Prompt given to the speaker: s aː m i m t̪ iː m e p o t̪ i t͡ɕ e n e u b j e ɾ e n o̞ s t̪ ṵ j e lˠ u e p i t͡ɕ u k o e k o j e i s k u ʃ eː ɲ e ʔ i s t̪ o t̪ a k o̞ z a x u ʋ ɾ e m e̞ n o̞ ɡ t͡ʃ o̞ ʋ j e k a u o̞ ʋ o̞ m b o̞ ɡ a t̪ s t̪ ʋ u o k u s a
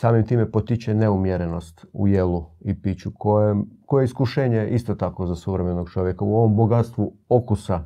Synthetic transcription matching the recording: s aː m i m t̪ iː m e p o t̪ i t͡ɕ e n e u m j e ɾ e n o̞ s t̪ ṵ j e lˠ u i p i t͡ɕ u k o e k o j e i s k u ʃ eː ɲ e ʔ i s t̪ o t̪ a k o̞ z a s u ʋ ɾ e m e̞ n o̞ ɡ t͡ʃ o̞ ʋ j e k a u o̞ ʋ o̞ m b o̞ ɡ a t̪ s t̪ ʋ u o k u s a